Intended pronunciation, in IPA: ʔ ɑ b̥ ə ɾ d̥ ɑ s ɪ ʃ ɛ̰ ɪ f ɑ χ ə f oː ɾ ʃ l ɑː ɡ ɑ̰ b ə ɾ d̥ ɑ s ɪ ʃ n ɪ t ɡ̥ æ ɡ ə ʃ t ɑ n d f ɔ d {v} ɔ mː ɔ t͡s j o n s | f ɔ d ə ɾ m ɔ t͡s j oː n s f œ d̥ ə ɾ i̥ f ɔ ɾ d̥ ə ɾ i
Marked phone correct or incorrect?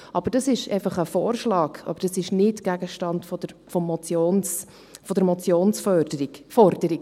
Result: incorrect